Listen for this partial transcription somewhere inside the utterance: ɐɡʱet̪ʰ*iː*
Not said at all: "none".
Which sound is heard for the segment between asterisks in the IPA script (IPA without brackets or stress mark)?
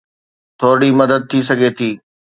iː